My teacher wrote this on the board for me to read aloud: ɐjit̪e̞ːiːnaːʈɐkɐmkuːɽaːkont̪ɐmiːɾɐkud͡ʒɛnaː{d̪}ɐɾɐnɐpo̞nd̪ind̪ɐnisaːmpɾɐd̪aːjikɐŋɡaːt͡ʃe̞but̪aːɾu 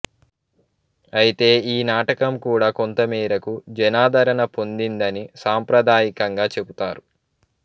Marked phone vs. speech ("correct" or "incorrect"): correct